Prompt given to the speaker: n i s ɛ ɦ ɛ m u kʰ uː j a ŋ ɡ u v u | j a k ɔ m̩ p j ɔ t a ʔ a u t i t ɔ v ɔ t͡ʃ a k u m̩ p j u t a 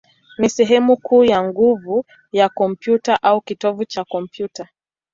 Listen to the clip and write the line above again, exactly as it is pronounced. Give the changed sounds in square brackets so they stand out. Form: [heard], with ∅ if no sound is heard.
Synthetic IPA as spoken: n i s ɛ ɦ ɛ m u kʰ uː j a ŋ ɡ u v u | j a k ɔ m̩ p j [u] t a ʔ a u [k] i t ɔ v [u] t͡ʃ a k [ɔ] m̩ p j u t a

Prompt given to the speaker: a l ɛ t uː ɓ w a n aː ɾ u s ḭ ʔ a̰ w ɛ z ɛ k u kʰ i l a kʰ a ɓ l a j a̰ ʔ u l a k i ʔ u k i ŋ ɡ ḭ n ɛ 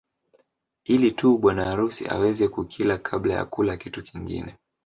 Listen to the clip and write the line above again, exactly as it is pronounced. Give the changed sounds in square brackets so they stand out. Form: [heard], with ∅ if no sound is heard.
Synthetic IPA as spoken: [i] l [i] t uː ɓ w a n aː ɾ u s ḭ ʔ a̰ w ɛ z ɛ k u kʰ i l a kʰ a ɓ l a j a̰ [k] u l a k i [t] u k i ŋ ɡ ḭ n ɛ

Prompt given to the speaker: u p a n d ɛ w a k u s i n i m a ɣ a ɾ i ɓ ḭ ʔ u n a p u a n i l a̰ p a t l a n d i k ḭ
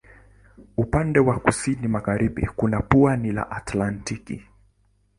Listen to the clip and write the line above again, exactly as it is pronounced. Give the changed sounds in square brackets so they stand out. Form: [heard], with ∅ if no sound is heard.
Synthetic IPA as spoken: u p a n d ɛ w a k u s i n i m a ɣ a ɾ i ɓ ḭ [k] u n a p u a n i l a̰ [ʔ] a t l a n [t] i k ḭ

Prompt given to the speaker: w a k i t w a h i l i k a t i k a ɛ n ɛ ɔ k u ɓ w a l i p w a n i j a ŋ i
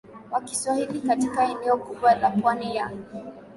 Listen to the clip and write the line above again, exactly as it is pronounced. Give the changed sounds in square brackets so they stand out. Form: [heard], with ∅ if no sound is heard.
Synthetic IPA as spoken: w a k i [s] w a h i l i k a t i k a ɛ n ɛ ɔ k u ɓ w a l [a] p w a n i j a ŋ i

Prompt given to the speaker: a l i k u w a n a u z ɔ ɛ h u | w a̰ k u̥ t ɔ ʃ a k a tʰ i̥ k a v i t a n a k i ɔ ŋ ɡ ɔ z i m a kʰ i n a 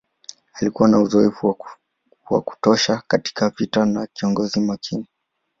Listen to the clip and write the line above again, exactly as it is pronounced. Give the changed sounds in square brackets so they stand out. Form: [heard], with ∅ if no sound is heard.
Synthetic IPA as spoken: a l i k u w a n a u z ɔ ɛ [f] u | w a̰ k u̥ t ɔ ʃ a k a [t] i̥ k a v i t a n a k i ɔ ŋ ɡ ɔ z i m a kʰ i n [i]

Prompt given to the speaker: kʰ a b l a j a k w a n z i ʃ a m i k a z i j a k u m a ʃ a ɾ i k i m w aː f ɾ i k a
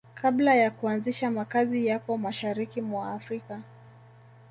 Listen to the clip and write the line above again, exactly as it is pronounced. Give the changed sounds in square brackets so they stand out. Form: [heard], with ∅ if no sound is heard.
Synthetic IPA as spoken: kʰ a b l a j a k [u] a n z i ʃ a m [a] k a z i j a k [ɔ] m a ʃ a ɾ i k i m w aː f ɾ i k a

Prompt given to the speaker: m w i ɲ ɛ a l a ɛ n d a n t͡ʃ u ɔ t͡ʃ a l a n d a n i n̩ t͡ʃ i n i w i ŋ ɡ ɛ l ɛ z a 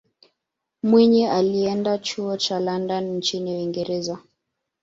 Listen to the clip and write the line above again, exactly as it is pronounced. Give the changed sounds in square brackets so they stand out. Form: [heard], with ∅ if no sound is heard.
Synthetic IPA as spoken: m w i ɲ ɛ a l [i] ɛ n d a [∅] t͡ʃ u ɔ t͡ʃ a l a n d a n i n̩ t͡ʃ i n i w i ŋ ɡ ɛ [ɾ] ɛ z a

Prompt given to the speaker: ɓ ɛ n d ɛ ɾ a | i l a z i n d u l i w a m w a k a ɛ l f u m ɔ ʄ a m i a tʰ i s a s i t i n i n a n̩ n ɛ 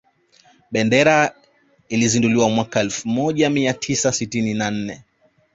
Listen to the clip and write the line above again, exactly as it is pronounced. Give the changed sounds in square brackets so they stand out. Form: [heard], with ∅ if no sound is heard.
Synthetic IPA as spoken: ɓ ɛ n d ɛ ɾ a | i l [i] z i n d u l i w a m w a k a ɛ l f u m ɔ ʄ a m i a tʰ i s a s i t i n i n a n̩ n ɛ

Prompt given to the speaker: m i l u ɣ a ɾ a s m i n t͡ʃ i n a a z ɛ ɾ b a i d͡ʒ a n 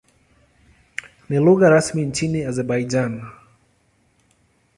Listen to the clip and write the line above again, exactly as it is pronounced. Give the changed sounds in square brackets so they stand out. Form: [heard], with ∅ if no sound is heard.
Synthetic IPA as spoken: [n] i l u ɣ a ɾ a s m i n t͡ʃ i n [i] a z ɛ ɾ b a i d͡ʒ a n

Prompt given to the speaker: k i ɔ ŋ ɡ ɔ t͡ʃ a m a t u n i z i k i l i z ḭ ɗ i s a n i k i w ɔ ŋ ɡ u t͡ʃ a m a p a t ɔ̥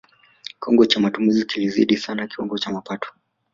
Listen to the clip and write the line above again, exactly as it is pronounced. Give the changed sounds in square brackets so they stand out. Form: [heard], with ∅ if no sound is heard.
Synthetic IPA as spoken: k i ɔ ŋ ɡ ɔ t͡ʃ a m a t u [m] i z i k i l i z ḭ ɗ i s a n [a] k i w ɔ ŋ ɡ [ɔ] t͡ʃ a m a p a t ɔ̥

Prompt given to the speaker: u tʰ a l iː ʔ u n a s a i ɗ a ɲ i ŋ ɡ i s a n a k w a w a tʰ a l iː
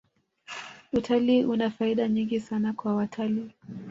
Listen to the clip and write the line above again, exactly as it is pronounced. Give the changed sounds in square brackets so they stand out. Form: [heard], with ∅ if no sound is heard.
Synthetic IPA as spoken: u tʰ a l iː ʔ u n a [f] a i ɗ a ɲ i ŋ ɡ i s a n a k w a w a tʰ a l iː

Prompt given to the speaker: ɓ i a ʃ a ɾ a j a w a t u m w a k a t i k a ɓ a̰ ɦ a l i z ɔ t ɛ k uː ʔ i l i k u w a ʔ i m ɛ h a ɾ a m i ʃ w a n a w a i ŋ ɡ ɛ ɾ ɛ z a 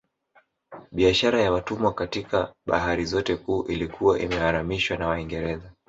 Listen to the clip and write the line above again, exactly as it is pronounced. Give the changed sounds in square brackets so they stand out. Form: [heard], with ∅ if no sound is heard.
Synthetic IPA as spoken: ɓ i a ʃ a ɾ a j a w a t u m w a k a t i k a ɓ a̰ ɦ a [ɾ] i z ɔ t ɛ k uː ʔ i l i k u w a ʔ i m ɛ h a ɾ a m i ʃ w a n a w a i ŋ ɡ ɛ ɾ ɛ z a

